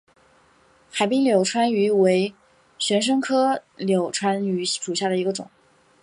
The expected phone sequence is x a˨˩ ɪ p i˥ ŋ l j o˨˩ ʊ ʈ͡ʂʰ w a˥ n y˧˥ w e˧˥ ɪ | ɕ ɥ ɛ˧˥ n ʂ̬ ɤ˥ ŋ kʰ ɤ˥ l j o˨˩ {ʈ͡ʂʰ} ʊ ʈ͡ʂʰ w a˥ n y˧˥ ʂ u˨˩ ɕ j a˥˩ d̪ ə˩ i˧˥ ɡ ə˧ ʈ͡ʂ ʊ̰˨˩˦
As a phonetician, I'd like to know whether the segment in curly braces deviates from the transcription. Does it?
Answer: yes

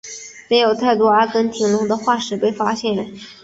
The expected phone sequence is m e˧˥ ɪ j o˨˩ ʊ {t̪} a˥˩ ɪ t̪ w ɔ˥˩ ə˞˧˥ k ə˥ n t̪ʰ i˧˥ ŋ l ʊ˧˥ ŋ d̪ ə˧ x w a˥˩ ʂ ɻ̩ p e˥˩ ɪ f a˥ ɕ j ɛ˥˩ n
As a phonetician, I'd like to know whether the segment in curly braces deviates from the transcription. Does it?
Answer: yes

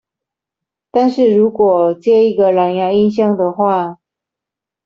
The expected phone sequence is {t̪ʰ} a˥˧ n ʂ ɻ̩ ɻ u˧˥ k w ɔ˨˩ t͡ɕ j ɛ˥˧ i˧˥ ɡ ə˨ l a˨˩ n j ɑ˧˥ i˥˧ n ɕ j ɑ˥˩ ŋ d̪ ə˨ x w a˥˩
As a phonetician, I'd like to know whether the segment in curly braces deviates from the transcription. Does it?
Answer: yes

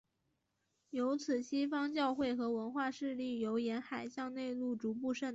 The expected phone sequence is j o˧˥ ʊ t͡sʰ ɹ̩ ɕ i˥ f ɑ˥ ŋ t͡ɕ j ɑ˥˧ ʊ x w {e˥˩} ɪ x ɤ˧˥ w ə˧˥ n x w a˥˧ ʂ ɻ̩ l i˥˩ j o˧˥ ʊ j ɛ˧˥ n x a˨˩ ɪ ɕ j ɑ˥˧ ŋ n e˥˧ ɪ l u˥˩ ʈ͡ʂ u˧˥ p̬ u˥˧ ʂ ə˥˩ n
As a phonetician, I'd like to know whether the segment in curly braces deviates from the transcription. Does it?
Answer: no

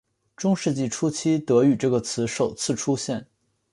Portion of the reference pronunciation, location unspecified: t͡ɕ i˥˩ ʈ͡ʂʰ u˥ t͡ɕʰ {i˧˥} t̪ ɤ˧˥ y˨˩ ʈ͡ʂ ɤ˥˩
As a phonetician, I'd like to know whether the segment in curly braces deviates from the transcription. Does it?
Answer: yes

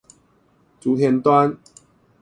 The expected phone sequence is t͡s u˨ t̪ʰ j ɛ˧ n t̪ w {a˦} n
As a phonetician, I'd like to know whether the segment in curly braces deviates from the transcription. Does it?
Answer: no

